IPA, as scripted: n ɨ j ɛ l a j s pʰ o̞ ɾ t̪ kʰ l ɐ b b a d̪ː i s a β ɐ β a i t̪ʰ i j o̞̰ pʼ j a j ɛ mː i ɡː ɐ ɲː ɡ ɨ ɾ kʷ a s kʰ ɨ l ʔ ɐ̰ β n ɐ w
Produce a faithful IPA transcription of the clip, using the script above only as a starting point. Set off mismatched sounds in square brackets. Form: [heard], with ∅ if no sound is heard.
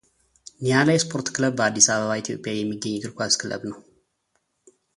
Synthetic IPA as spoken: n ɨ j [a] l a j s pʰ o̞ ɾ t̪ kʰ l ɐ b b a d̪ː i s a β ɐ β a i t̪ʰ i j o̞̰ pʼ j a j ɛ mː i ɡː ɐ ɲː ɡ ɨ ɾ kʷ a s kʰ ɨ l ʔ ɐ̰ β n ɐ w

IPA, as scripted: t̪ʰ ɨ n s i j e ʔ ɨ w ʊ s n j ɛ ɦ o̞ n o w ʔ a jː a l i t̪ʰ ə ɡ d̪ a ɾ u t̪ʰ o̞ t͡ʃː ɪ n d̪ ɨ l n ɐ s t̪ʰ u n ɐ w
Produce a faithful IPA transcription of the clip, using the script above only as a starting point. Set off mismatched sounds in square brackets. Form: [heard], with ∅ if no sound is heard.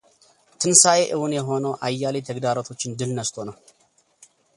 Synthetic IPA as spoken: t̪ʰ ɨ n s [a] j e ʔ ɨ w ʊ [∅] n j ɛ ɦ o̞ n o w ʔ a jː a l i t̪ʰ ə ɡ d̪ a ɾ [o] t̪ʰ o̞ t͡ʃː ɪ n d̪ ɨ l n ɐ s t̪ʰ [o] n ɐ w

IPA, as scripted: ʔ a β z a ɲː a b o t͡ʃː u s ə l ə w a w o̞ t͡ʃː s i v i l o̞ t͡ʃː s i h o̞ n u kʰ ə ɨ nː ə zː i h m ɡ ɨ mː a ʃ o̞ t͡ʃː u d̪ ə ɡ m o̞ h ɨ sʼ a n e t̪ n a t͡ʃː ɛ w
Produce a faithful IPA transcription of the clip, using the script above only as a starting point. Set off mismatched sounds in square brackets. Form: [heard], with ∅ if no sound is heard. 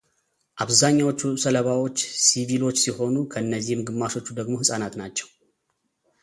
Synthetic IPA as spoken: ʔ a β z a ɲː a [w] o t͡ʃː u s ə l ə [β] a w o̞ t͡ʃː s i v i l o̞ t͡ʃː s i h o̞ n u kʰ ə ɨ nː ə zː i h m ɡ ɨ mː a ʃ o̞ t͡ʃː u d̪ ə ɡ m o̞ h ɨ sʼ a n [a] t̪ n a t͡ʃː ɛ w

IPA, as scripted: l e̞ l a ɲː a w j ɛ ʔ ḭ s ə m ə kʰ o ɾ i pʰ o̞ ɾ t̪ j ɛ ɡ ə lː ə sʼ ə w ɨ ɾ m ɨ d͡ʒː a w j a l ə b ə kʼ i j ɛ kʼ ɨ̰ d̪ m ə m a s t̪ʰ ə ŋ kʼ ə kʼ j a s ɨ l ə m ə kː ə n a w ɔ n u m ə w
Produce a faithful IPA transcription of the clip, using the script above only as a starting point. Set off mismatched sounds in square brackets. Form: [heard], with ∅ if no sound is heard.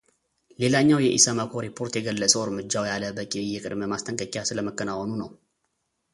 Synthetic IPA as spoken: l e̞ l a ɲː a w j ɛ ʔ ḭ s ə m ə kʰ o ɾ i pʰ o̞ ɾ t̪ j ɛ ɡ ə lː ə sʼ ə w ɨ ɾ m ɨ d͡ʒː a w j a l ə b ə kʼ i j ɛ kʼ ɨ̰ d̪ m ə m a s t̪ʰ ə ŋ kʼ ə kʼ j a s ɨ l ə m ə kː ə n a w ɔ n u [n] ə w

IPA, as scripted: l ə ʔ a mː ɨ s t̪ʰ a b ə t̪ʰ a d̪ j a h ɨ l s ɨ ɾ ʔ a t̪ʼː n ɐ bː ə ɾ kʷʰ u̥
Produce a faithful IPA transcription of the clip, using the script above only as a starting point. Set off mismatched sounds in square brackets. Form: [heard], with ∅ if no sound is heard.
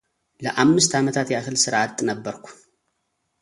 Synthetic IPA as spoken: l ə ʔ a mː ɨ s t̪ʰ a [m] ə t̪ʰ a [t̪] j a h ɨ l s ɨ ɾ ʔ a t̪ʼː n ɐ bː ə ɾ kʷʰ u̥

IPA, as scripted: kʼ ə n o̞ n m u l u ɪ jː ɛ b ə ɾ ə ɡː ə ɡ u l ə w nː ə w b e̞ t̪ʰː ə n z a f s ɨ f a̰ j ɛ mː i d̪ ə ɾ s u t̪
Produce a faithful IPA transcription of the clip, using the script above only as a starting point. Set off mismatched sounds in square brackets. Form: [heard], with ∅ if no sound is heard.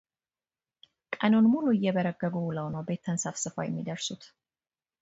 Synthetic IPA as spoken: kʼ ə n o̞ n m u l u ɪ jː ɛ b ə ɾ ə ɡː ə ɡ u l ə w [n] ə w b e̞ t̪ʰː ə n [s] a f s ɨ f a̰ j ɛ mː i d̪ ə ɾ s u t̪

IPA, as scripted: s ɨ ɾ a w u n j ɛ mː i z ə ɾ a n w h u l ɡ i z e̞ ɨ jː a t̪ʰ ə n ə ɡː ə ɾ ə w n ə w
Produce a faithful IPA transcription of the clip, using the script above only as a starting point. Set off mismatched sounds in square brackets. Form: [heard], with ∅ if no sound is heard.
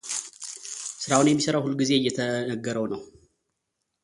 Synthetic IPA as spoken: s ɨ ɾ a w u n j ɛ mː i [s] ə ɾ a [∅] w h u l ɡ i z e̞ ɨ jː [ɛ] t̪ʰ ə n ə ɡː ə ɾ ə w n ə w

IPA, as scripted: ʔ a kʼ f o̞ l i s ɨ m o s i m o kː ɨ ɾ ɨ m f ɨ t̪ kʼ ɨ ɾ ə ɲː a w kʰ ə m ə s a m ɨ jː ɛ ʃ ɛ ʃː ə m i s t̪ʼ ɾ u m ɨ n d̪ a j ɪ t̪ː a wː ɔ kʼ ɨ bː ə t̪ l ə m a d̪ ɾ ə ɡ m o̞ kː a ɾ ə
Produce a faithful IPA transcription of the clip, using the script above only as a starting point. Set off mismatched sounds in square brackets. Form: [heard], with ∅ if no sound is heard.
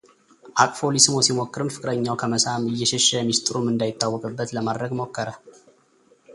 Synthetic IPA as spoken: ʔ a kʼ f o̞ l i s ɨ m o s i m o kː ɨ ɾ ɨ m f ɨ [∅] kʼ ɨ ɾ ə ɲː a w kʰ ə m ə s a m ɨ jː ɛ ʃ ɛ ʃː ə m i s t̪ʼ ɾ u m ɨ n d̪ a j ɪ t̪ː a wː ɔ kʼ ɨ bː ə t̪ l ə m a d̪ ɾ ə ɡ m o̞ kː [ə] ɾ ə

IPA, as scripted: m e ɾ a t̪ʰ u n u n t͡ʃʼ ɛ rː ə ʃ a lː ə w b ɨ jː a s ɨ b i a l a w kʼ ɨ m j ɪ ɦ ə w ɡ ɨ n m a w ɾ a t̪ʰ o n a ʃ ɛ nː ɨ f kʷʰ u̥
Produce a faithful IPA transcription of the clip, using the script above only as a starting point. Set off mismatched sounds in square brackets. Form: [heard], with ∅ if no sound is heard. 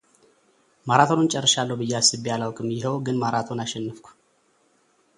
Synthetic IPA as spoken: m [a] ɾ a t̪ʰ [o] n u n t͡ʃʼ ɛ rː ə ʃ a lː ə w b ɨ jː a s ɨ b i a l a w kʼ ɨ m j ɪ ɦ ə w ɡ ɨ n m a [∅] ɾ a t̪ʰ o n a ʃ ɛ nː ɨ f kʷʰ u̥

